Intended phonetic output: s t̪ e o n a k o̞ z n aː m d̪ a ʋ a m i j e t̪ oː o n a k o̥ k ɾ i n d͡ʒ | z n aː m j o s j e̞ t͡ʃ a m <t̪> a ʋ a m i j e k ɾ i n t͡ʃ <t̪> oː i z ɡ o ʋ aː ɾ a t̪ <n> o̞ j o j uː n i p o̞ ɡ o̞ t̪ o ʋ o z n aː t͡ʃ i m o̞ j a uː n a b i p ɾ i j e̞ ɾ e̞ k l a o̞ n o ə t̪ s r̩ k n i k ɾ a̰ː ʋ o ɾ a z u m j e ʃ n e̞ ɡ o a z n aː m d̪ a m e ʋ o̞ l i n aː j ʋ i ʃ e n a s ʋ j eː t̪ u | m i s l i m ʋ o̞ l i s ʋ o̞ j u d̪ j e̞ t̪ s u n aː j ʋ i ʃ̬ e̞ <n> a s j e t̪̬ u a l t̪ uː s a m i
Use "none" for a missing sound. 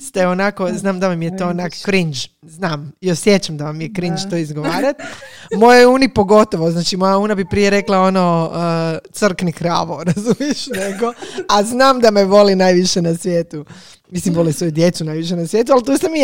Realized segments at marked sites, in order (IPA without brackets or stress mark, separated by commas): d̪, t̪, m, n